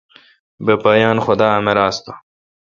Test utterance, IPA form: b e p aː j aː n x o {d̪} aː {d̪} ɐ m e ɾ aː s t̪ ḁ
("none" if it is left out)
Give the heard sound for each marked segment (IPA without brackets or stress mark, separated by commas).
d̪, none